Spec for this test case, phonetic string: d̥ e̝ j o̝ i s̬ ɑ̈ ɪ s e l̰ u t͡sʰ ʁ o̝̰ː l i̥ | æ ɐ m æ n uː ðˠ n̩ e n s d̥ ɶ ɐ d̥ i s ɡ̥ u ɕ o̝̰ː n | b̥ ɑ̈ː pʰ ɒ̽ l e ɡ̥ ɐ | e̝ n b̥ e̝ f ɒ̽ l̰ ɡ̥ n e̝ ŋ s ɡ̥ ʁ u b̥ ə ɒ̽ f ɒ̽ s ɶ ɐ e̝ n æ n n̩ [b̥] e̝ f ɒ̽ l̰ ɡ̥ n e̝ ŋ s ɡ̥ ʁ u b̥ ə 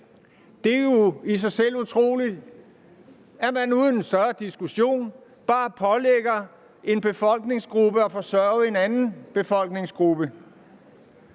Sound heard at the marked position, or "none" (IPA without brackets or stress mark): b̥